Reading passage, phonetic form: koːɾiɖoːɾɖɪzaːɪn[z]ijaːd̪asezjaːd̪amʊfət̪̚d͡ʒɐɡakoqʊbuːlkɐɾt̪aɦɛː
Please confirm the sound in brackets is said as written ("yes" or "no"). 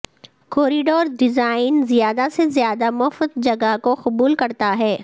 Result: yes